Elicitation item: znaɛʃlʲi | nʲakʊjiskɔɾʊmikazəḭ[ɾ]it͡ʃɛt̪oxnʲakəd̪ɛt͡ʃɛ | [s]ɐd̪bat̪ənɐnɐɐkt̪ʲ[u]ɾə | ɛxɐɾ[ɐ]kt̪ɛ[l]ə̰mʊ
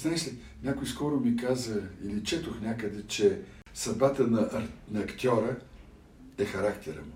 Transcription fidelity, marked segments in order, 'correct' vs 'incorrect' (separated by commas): incorrect, correct, incorrect, incorrect, incorrect